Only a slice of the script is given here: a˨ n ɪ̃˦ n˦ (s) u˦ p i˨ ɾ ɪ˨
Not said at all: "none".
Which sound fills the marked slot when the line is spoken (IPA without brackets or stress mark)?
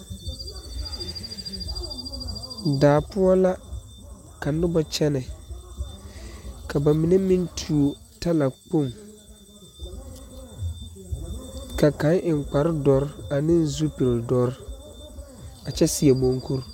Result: z